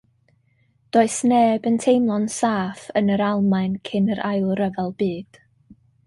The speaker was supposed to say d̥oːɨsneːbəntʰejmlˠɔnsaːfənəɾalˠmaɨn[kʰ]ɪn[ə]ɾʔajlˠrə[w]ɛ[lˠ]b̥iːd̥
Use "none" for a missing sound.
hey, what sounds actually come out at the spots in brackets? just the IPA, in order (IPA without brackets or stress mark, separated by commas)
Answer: kʰ, ə, v, lˠ